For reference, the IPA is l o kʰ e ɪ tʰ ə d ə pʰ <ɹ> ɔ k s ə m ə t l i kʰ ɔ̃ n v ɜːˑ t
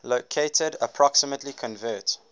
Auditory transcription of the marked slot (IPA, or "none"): ɹ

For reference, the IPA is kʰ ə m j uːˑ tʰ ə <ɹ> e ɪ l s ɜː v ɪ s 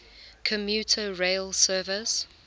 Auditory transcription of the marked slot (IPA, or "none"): ɹ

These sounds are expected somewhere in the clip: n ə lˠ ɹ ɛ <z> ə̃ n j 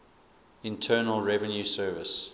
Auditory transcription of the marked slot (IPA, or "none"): v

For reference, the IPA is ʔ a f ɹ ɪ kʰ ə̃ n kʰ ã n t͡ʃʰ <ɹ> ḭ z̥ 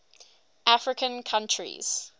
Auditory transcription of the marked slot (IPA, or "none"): ɹ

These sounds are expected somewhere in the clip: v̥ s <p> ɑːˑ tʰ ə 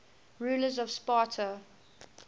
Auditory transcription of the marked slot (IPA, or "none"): p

